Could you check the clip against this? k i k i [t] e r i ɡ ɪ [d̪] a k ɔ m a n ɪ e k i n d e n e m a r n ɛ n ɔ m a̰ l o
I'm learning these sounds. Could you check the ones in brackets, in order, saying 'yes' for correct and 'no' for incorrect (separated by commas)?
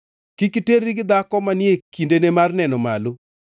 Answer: yes, yes